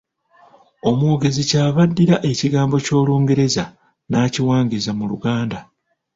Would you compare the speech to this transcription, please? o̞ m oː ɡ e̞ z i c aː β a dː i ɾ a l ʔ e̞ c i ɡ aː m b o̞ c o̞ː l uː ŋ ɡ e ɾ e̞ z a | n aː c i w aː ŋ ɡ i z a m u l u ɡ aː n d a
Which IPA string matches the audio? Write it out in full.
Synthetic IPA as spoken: o̞ m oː ɡ e̞ z i c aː β a dː i ɾ a ʔ e̞ c i ɡ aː m b o̞ c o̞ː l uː ŋ ɡ e ɾ e̞ z a | n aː c i w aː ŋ ɡ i z a m u l u ɡ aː n d a

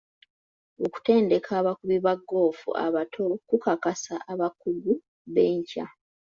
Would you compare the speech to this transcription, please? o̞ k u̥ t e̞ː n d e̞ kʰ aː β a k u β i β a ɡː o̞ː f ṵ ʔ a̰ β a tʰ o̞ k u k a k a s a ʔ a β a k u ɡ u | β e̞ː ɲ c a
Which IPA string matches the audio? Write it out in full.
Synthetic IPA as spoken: o̞ k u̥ t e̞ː n d e̞ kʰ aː β a k u β i β a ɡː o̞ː f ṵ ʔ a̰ β a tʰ o̞ k u k a k a s a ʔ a β a k u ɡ u | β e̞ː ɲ c a

